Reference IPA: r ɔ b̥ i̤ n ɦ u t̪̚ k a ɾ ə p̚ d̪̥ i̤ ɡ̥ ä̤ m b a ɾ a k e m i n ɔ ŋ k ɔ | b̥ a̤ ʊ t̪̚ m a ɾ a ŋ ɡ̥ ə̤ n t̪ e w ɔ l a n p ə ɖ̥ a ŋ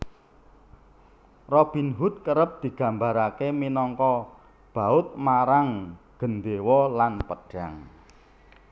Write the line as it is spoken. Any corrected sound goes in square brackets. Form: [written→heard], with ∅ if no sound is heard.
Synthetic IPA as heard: r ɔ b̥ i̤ n ɦ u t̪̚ k [a→ə] ɾ ə p̚ d̪̥ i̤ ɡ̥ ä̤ m b a ɾ a k e m i n ɔ ŋ k ɔ | b̥ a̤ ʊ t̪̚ m a ɾ a ŋ ɡ̥ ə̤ n [t̪→d̪] e w ɔ l a n p ə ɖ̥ a ŋ